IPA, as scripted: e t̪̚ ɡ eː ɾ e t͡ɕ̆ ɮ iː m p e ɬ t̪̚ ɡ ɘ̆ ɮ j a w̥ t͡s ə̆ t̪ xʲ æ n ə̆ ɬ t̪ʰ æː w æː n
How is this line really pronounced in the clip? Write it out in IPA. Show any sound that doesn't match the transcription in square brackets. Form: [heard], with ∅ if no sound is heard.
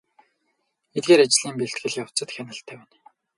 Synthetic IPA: e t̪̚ ɡ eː ɾ [a] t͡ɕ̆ ɮ iː m p e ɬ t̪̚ ɡ ɘ̆ ɮ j a w̥ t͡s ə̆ t̪ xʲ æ n ə̆ ɬ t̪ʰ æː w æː n